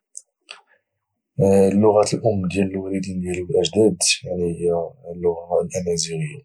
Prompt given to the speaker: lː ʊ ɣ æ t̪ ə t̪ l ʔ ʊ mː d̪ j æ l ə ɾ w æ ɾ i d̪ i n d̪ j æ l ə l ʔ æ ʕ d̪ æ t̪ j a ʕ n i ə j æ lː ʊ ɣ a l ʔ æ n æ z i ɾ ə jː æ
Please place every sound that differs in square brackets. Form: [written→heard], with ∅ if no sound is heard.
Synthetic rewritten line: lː ʊ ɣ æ t̪ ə [t̪→∅] l ʔ ʊ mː d̪ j æ l ə [ɾ→l] w æ [ɾ→l] i d̪ i n d̪ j æ l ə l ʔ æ [ʕ→ʒ] d̪ æ [t̪→d̪] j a ʕ n i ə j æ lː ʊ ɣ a l ʔ æ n æ z i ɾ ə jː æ

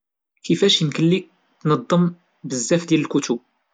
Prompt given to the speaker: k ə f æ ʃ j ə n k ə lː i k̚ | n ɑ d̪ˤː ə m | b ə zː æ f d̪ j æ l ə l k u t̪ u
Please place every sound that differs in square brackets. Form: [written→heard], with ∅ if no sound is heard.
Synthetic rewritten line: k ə f æ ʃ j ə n k ə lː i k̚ | n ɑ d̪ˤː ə m | b ə zː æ f d̪ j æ l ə l k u t̪ u

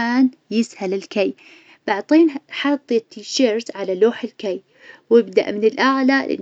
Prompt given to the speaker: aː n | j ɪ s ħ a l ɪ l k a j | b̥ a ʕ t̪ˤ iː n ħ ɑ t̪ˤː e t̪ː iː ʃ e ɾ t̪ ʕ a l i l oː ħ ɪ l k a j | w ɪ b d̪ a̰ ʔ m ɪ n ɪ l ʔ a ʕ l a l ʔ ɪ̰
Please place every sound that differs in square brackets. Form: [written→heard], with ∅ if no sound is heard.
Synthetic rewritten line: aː n | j ɪ s [ħ→h] a l ɪ l k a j | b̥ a ʕ t̪ˤ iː n ħ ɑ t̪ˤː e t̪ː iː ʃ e ɾ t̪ ʕ a l [i→a] l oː ħ ɪ l k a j | w ɪ b d̪ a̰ ʔ m ɪ n ɪ l ʔ a ʕ l a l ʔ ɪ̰

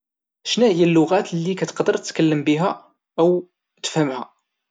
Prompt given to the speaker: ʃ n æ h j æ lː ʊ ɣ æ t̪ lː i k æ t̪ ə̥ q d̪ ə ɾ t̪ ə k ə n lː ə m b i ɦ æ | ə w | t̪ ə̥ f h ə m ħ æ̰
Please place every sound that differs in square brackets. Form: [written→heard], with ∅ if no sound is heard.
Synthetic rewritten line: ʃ n æ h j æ lː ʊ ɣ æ t̪ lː i k æ t̪ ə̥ q d̪ ə ɾ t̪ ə k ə [n→∅] lː ə m b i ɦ æ | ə w | t̪ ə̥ f h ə m [ħ→h] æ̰

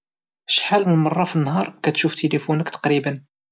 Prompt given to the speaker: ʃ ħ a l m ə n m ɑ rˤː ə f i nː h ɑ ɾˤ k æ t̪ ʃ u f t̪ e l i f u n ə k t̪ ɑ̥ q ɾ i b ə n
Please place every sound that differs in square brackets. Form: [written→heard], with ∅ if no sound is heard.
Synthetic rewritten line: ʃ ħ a l m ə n m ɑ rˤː [ə→ɑ] f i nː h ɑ ɾˤ k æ t̪ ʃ u f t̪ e l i f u n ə k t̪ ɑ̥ q ɾ i b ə n

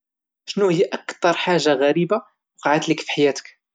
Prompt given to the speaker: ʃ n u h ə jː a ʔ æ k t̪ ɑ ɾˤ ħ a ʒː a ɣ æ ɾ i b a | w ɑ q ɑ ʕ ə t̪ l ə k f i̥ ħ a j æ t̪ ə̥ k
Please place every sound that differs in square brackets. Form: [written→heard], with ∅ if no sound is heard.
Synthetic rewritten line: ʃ n u h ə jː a ʔ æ k t̪ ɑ ɾˤ ħ a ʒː a ɣ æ ɾ i b a | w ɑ q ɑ ʕ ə t̪ l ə k f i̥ ħ a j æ t̪ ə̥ k

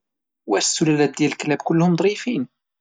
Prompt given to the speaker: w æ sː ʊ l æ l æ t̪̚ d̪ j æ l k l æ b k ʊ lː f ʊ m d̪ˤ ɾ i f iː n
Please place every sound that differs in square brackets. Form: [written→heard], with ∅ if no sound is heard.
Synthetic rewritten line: w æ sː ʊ l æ l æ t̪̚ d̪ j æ l k l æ b k ʊ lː [f→h] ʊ m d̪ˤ ɾ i f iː n

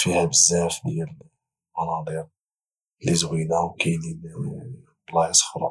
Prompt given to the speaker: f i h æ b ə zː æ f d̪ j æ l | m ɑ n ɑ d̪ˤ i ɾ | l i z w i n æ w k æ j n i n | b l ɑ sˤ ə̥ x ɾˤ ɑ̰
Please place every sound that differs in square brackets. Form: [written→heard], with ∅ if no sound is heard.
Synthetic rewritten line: f i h æ b ə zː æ f d̪ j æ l | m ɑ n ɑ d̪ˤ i ɾ | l i z w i n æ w k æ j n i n | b l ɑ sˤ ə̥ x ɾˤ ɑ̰

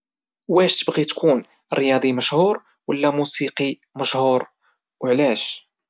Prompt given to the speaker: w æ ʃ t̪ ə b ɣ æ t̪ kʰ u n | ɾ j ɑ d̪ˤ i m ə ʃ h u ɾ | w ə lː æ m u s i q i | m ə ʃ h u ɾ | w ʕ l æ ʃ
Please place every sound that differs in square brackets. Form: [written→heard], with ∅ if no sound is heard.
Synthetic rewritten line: w æ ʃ t̪ ə b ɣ [æ→i] t̪ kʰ u n | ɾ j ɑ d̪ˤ i m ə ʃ h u ɾ | w ə lː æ m u s i q i | m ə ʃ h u ɾ | w ʕ l æ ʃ

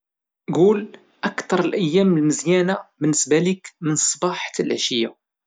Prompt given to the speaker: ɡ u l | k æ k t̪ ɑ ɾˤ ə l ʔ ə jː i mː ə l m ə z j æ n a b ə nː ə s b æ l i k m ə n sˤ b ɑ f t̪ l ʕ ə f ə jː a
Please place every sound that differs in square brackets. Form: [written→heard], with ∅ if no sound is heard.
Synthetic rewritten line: ɡ u l | [k→ʔ] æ k t̪ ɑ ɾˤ ə l ʔ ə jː [i→æ] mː ə l m ə z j æ n a b ə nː ə s b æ l i k m ə n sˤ b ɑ [f→ħ] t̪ l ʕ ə [f→ʃ] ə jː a

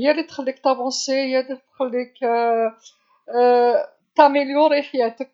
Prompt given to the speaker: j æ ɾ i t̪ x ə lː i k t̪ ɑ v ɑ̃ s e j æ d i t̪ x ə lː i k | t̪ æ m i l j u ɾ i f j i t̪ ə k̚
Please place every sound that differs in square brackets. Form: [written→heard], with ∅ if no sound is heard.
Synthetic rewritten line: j æ [ɾ→l] i t̪ x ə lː i k t̪ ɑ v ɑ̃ s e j æ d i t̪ x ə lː i k | t̪ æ m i l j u ɾ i [f→ħ] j [i→æ] t̪ ə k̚

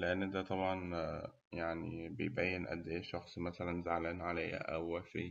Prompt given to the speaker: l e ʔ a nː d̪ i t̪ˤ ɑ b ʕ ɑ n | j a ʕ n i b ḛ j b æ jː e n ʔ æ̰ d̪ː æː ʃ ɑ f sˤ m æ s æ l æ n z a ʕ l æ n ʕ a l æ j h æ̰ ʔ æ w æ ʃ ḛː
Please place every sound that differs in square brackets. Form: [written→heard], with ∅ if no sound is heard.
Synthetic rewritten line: l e ʔ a nː d̪ [i→æ] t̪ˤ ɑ b ʕ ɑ n | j a ʕ n i b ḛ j b æ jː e n ʔ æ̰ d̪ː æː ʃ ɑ [f→x] sˤ m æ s æ l æ n z a ʕ l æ n ʕ a l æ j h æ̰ ʔ æ w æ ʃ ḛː

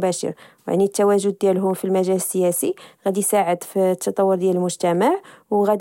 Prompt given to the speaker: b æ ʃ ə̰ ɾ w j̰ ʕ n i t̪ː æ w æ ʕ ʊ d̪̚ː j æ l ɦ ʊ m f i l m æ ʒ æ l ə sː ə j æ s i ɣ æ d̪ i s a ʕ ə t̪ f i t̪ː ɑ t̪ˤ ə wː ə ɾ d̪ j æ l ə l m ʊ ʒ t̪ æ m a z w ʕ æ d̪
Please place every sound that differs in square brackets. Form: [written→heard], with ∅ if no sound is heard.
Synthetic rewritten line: b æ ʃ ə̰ ɾ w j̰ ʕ n i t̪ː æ w æ [ʕ→ʒ] ʊ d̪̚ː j æ l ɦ ʊ m f i l m æ ʒ æ l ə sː ə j æ s i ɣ æ d̪ i s a ʕ ə [t̪→d̪] f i t̪ː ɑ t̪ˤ [ə→ɑ] wː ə ɾ d̪ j æ l ə l m ʊ ʒ t̪ æ m a [z→ʕ] w [ʕ→ɣ] æ d̪

